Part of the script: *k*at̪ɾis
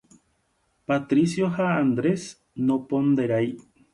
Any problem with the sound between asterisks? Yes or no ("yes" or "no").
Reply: yes